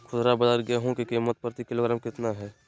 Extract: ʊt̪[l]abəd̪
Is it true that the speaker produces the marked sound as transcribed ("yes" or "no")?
no